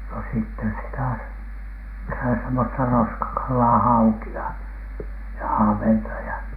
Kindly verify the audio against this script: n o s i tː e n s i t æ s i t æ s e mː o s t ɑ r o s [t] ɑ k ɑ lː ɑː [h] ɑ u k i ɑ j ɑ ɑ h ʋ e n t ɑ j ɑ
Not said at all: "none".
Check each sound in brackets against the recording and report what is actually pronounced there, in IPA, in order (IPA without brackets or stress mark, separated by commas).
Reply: k, h